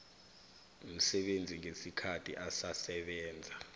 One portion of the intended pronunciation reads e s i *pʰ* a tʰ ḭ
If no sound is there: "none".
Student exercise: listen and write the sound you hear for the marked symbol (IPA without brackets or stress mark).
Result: kʰ